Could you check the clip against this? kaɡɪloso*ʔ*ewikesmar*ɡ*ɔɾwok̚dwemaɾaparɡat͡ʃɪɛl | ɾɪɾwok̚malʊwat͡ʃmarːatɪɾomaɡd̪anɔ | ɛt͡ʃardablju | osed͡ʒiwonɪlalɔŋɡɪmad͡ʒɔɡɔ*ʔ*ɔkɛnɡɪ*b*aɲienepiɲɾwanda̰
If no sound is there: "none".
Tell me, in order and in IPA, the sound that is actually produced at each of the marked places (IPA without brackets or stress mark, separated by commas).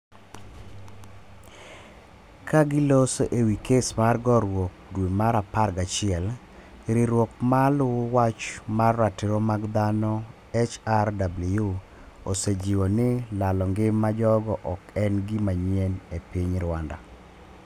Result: ʔ, ɡ, ʔ, m